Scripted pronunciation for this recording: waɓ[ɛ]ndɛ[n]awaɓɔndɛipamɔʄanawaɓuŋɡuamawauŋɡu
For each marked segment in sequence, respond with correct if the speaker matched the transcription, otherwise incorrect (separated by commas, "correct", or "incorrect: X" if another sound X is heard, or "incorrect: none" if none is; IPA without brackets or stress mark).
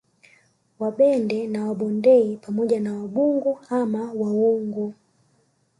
correct, correct